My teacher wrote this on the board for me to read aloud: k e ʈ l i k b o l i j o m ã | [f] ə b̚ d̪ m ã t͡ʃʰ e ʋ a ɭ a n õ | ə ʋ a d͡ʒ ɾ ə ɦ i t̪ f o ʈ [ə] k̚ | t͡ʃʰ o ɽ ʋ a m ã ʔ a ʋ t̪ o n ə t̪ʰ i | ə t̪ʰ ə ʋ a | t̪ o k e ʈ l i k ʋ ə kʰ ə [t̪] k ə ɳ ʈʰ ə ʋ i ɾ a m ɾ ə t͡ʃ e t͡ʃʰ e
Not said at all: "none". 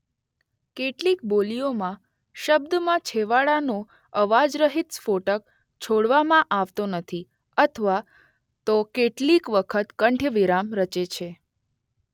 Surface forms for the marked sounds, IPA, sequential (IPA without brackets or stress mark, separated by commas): ʃ, ə, t̪